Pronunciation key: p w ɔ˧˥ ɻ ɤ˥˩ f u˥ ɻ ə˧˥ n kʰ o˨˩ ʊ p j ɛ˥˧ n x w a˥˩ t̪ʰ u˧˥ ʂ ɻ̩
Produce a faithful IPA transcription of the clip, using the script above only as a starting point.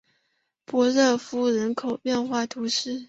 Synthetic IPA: p w ɔ˧˥ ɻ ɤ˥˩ f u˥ ɻ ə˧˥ n kʰ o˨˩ ʊ p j ɛ˥˧ n x w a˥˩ t̪ʰ u˧˥ ʂ ɻ̩